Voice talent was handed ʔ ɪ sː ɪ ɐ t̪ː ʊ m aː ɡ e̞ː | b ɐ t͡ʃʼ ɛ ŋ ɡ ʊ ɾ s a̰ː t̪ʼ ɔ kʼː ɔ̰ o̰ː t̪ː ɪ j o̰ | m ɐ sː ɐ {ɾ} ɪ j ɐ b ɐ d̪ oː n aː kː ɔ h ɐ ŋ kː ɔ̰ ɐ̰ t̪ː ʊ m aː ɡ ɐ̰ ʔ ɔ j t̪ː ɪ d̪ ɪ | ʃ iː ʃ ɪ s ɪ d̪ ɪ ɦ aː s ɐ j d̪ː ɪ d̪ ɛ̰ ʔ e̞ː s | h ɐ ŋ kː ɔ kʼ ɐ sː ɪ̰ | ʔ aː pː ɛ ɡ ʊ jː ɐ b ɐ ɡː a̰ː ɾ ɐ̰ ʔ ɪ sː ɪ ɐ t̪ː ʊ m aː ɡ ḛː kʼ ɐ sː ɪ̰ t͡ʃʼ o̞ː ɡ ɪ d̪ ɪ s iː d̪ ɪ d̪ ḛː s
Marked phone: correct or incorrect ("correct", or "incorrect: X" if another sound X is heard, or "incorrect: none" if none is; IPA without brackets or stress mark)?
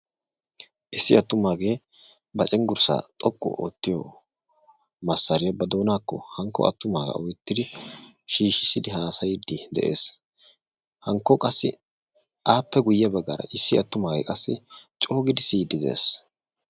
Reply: correct